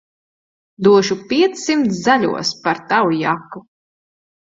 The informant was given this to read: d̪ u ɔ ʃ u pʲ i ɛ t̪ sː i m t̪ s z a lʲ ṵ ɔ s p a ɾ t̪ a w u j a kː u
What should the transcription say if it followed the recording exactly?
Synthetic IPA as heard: d̪ u ɔ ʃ u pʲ i ɛ t̪ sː i m t̪ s z a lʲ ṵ ɔ s p a ɾ t̪ a w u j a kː u